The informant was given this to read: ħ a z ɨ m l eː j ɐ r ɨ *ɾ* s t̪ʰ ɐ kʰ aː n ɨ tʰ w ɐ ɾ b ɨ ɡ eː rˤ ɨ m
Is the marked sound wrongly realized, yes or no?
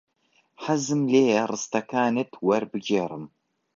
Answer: yes